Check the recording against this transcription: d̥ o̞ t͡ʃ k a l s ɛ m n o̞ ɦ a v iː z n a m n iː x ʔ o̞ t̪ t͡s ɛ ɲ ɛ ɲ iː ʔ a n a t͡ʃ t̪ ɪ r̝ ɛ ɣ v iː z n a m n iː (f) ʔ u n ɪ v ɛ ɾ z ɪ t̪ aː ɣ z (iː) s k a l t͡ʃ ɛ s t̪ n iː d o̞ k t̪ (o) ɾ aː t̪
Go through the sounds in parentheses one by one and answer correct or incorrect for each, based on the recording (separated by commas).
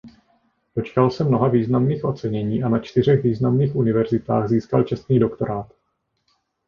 incorrect, correct, correct